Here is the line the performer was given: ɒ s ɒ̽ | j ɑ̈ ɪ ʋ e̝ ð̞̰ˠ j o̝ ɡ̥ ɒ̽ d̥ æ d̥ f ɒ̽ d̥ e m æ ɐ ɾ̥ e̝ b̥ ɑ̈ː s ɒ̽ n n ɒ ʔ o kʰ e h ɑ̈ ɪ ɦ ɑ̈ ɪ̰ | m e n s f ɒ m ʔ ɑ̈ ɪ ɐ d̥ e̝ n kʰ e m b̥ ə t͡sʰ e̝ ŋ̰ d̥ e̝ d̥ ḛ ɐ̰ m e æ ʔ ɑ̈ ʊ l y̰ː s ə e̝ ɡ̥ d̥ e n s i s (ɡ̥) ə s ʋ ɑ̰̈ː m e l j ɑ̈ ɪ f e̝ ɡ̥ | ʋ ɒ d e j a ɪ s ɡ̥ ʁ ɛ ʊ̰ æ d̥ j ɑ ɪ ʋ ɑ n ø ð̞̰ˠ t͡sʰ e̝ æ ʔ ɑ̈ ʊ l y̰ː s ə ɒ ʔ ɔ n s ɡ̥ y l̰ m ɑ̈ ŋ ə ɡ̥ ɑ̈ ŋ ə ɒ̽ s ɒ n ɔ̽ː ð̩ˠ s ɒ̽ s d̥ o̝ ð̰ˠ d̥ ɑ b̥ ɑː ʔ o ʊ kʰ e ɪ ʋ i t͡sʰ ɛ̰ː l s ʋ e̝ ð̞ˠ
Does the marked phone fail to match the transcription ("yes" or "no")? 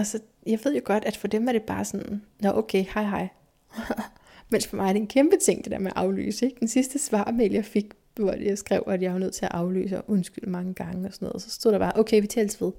yes